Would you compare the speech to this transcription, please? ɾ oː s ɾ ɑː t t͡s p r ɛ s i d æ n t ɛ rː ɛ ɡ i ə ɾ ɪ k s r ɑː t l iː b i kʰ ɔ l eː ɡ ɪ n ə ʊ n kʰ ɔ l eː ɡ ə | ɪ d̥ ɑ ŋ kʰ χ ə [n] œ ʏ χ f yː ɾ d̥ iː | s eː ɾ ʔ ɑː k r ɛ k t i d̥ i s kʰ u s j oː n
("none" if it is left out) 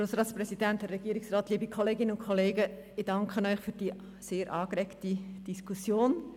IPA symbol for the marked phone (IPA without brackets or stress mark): n